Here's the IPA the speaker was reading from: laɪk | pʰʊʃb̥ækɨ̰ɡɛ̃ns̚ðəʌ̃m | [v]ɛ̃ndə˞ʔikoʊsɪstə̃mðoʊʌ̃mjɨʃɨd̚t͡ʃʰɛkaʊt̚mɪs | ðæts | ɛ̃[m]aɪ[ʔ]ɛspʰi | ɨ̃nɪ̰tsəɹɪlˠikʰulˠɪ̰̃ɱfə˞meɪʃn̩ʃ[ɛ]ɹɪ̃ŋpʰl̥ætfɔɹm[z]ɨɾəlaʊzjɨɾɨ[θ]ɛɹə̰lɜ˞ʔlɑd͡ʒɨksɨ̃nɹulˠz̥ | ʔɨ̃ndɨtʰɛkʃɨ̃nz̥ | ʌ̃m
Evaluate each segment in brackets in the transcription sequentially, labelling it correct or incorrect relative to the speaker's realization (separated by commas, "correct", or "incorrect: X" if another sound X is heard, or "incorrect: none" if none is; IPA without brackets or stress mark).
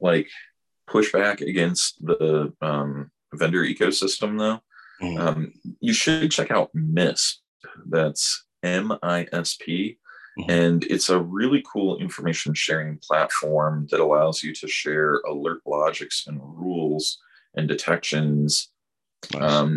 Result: correct, correct, correct, correct, incorrect: ð, incorrect: ʃ